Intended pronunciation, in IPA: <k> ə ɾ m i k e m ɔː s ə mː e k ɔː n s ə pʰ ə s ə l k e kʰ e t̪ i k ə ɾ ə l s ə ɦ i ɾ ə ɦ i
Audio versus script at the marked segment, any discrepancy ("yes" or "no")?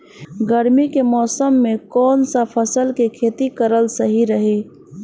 yes